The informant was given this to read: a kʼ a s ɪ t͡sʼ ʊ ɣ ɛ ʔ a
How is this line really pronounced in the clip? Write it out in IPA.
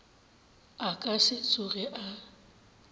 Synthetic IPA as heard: a kʼ a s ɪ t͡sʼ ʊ ɣ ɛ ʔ a